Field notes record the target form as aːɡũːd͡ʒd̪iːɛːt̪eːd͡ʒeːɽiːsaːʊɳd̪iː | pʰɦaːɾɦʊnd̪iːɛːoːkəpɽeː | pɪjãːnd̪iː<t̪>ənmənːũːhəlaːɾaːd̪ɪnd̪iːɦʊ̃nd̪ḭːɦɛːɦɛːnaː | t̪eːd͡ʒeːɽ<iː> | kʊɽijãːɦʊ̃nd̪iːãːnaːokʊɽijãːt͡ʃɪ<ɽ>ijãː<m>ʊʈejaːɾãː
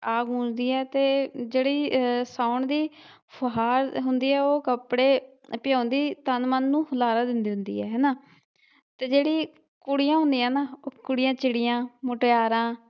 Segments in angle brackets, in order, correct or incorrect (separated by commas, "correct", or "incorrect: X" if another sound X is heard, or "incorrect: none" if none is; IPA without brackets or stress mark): correct, correct, correct, correct